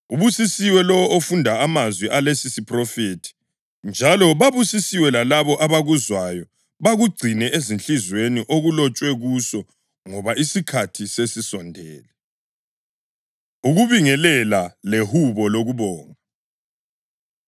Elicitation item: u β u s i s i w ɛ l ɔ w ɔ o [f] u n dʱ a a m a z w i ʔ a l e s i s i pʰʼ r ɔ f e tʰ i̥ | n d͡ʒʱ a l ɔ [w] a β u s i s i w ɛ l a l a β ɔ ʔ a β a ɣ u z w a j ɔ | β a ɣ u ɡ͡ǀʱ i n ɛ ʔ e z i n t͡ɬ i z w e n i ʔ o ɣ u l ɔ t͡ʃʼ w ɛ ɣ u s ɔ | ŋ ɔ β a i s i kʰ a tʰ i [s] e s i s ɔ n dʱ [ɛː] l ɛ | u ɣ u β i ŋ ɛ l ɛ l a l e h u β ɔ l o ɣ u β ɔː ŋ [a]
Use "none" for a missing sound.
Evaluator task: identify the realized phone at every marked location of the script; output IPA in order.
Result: f, β, s, ɛː, a

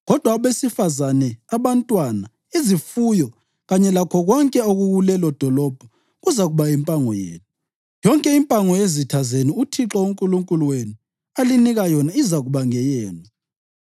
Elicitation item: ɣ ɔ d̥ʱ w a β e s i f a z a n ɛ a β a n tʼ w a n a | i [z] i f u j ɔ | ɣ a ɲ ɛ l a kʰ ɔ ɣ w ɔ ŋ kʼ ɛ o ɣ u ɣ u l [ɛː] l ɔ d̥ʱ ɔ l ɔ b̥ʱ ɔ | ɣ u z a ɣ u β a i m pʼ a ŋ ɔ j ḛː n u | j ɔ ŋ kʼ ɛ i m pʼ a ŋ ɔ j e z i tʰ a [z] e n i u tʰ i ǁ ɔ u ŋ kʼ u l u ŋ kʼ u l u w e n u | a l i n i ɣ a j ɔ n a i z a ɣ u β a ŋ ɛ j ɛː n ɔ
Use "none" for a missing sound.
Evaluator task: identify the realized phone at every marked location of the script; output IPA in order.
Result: z, ɛ, z

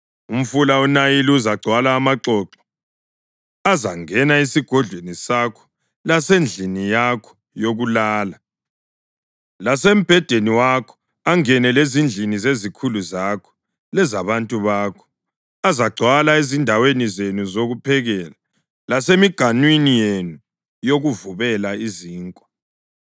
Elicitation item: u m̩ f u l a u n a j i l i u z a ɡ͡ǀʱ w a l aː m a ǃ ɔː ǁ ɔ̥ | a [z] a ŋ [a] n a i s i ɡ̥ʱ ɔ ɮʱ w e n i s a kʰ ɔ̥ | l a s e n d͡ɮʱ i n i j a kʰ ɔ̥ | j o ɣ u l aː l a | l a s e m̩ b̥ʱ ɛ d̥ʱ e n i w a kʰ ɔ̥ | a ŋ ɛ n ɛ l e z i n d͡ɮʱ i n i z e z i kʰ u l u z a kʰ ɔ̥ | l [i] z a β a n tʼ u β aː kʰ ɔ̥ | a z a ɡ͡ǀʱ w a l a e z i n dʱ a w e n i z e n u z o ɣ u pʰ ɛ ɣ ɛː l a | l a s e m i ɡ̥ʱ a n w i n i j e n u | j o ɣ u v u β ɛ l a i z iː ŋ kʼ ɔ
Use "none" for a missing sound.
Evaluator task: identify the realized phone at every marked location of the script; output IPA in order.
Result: z, ɛ, ɛ

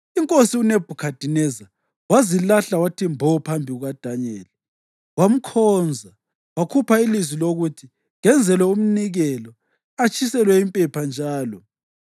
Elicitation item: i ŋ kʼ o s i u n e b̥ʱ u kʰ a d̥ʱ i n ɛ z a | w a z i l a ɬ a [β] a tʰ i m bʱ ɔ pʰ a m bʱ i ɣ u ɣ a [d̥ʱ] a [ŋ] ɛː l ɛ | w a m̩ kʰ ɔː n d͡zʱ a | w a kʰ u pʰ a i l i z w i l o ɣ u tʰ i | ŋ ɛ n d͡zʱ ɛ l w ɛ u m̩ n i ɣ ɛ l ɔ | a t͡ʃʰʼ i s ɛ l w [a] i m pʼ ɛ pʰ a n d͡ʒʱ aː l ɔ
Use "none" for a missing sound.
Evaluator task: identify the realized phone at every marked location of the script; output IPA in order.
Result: w, d̥ʱ, ɲ, ɛ

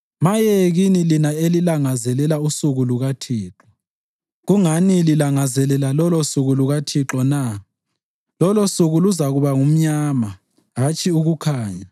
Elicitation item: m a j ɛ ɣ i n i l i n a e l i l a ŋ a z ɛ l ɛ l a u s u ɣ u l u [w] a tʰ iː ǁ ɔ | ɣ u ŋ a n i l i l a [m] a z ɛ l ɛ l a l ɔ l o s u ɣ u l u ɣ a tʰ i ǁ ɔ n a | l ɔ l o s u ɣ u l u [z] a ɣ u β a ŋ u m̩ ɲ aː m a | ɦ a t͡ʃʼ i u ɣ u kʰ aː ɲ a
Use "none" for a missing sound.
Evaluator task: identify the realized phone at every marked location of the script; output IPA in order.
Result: ɣ, ŋ, z

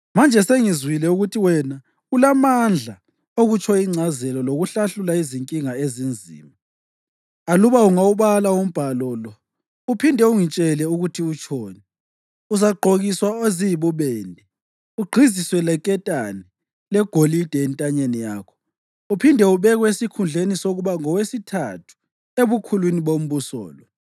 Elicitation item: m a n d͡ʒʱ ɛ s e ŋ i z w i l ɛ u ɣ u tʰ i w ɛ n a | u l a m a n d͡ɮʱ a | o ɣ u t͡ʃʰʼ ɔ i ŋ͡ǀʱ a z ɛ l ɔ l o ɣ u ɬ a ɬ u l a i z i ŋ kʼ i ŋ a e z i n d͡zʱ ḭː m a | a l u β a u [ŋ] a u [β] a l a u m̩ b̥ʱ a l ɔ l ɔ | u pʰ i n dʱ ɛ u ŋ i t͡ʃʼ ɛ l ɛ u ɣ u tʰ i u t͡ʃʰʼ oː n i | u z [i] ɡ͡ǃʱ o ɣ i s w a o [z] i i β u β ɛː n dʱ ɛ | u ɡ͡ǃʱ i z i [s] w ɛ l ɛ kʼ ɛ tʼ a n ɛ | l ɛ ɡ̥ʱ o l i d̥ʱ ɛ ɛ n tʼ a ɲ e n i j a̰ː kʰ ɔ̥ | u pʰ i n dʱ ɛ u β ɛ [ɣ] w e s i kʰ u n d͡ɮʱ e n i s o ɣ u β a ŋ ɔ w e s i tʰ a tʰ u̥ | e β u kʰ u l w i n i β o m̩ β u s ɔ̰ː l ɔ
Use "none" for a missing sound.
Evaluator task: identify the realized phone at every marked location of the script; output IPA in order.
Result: ŋ, β, a, z, s, ɣ

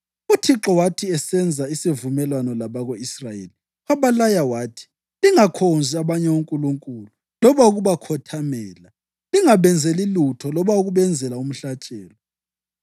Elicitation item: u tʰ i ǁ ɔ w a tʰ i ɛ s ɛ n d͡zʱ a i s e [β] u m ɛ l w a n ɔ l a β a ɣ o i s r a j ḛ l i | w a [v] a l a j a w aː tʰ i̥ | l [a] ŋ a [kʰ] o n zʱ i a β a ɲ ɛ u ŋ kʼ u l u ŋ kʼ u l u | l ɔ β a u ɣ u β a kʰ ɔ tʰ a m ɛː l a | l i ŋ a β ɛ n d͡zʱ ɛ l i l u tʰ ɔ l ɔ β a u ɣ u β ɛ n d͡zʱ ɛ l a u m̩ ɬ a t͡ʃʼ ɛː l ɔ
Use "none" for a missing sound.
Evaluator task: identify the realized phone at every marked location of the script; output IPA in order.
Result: v, β, i, kʰ

